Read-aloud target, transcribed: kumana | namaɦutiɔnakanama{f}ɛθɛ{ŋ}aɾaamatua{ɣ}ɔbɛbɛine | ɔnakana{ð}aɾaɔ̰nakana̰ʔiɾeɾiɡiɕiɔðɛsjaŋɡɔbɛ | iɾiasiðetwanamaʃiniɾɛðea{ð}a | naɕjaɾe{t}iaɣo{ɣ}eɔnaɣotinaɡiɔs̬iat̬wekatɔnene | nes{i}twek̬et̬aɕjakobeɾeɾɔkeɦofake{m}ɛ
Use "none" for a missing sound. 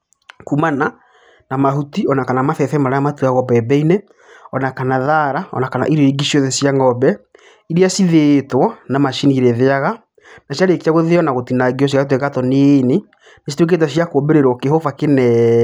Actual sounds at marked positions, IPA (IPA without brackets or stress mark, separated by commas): θ, m, ɣ, ð, ɣ, k, ð, i, n